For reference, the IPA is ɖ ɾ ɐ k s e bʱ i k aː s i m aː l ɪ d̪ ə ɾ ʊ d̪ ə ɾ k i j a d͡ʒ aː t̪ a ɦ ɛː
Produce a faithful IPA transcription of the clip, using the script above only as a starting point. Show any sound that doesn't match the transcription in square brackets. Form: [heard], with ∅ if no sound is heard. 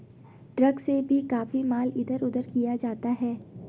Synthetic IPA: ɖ ɾ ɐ [ɡ] s e bʱ i k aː [f] i m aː l ɪ d̪ ə ɾ ʊ d̪ ə ɾ k i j a d͡ʒ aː t̪ a ɦ ɛː